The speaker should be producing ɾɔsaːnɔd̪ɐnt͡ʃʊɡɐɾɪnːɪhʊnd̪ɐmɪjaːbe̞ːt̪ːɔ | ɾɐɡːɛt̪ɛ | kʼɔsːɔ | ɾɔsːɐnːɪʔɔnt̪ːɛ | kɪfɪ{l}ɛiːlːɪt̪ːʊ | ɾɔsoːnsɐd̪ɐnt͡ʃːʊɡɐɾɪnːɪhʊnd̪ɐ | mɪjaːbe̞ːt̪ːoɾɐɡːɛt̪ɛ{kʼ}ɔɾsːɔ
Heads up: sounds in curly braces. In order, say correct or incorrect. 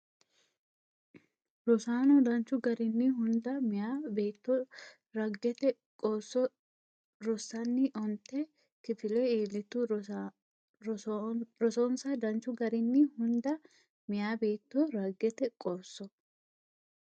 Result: correct, correct

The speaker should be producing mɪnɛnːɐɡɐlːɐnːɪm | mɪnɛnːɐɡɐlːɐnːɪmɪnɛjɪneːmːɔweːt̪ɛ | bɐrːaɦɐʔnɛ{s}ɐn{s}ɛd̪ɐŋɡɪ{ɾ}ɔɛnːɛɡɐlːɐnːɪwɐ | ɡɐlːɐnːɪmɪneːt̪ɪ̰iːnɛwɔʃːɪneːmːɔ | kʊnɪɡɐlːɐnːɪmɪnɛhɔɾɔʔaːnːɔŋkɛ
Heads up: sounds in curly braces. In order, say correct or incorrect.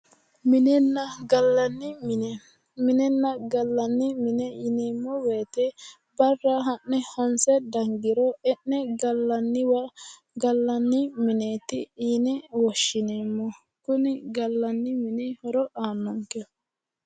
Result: incorrect: h, correct, correct

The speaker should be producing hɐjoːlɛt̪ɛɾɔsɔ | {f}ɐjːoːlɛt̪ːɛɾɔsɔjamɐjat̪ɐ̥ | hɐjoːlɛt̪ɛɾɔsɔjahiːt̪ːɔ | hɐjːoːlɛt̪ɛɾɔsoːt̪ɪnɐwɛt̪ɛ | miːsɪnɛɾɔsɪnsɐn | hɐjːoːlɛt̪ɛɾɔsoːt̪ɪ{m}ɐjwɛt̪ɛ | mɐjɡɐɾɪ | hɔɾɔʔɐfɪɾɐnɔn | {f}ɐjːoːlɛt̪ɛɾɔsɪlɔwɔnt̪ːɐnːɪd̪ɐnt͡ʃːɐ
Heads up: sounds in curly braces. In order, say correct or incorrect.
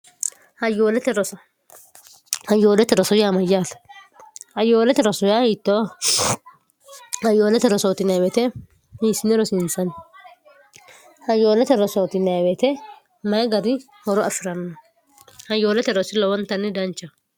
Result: incorrect: h, incorrect: n, incorrect: h

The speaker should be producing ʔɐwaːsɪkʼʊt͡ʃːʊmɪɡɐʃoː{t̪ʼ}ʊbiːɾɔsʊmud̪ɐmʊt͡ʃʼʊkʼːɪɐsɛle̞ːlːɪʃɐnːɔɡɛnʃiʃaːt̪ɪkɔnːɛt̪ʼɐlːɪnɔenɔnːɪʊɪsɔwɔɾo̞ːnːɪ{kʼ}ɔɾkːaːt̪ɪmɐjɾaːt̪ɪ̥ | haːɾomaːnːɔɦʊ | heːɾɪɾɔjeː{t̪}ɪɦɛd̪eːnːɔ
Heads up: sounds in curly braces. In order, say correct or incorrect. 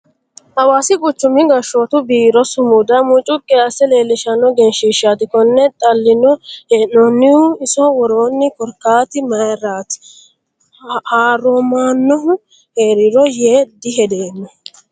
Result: incorrect: t̪, incorrect: k, incorrect: d̪

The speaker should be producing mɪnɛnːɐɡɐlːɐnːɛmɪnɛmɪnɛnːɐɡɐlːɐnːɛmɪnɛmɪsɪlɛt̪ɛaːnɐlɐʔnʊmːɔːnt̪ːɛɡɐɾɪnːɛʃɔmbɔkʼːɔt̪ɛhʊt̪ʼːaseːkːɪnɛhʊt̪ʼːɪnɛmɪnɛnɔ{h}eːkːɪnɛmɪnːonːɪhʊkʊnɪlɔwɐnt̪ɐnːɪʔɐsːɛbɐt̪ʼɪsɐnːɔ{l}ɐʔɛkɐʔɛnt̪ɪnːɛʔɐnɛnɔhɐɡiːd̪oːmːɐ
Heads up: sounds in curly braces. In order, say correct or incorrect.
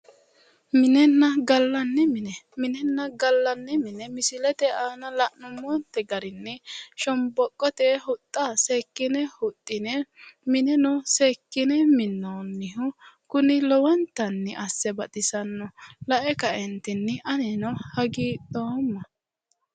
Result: incorrect: s, correct

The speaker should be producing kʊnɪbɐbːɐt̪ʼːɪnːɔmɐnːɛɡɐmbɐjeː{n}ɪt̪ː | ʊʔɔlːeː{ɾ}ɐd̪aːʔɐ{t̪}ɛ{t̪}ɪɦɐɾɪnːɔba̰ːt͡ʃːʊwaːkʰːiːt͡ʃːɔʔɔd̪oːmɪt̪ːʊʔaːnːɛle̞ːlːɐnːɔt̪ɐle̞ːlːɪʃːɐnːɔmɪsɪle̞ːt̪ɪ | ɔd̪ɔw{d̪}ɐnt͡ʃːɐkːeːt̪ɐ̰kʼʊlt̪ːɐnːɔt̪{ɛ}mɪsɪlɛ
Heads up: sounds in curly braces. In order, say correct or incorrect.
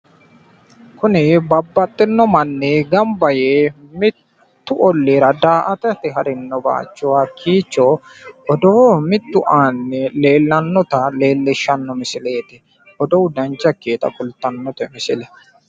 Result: incorrect: m, correct, correct, correct, correct, correct

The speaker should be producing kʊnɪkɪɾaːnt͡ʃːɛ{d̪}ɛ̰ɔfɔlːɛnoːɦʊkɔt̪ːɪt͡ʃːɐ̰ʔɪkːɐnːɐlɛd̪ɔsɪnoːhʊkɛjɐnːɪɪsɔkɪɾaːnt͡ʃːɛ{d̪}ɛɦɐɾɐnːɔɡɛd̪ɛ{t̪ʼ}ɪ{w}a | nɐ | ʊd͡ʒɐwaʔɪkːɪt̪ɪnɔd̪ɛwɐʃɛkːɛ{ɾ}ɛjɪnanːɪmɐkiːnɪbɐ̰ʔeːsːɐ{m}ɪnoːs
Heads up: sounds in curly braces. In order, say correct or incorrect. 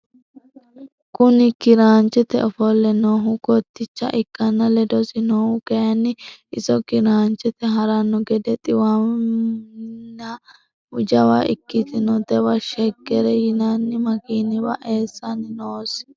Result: incorrect: t̪, incorrect: t̪, correct, correct, correct, incorrect: n

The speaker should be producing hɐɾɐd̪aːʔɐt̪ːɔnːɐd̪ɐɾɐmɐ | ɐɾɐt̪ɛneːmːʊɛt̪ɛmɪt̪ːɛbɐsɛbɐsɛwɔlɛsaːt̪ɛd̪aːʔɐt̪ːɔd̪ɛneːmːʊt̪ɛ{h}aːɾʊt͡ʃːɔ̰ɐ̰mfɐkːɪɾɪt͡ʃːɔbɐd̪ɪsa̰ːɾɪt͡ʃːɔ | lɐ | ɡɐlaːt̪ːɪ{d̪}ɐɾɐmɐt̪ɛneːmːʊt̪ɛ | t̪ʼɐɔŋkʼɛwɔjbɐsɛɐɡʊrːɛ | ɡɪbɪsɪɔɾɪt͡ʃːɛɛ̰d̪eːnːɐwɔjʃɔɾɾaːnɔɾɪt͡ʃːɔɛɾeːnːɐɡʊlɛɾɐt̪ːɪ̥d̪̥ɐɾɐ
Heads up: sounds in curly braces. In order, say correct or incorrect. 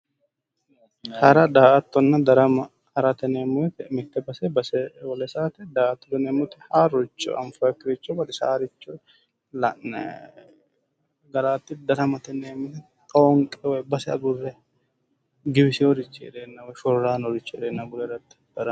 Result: correct, correct

